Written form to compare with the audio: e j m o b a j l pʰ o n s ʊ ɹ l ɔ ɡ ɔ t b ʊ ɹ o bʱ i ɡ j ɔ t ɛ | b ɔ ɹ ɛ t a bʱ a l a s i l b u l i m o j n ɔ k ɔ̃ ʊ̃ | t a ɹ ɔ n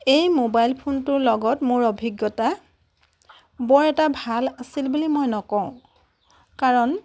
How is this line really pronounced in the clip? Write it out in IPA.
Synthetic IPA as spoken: e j m o b a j l pʰ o n t ʊ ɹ l ɔ ɡ ɔ t m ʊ ɹ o bʱ i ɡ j ɔ t a | b ɔ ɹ ɛ t a bʱ a l a s i l b u l i m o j n ɔ k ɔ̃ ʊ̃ | k a ɹ ɔ n